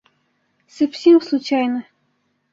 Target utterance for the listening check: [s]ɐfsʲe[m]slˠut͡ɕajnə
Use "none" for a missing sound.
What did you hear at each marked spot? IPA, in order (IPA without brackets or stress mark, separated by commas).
s, m